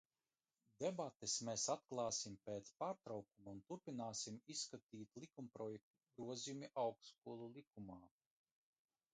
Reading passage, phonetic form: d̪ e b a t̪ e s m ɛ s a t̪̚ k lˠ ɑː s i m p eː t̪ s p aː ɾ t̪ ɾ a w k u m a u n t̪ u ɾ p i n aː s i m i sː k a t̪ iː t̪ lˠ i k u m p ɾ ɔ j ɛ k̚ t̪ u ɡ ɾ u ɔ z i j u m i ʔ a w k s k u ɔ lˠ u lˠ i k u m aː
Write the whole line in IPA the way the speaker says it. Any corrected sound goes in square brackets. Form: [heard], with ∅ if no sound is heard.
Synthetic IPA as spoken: d̪ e b a t̪ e s m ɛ s a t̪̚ k lˠ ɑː s i m p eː t̪ s p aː ɾ t̪ ɾ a w k u m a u n t̪ u ɾ p i n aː s i m i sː k a t̪ iː t̪ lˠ i k u m p ɾ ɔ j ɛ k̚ t̪ u ɡ ɾ u ɔ z i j u m i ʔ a w k s k u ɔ lˠ u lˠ i k u m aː